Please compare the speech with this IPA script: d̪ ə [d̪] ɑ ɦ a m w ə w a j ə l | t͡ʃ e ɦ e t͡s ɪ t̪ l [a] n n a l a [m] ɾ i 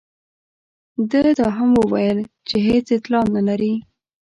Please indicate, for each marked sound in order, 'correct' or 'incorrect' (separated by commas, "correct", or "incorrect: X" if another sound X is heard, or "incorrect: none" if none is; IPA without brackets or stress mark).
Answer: correct, incorrect: ɑ, incorrect: none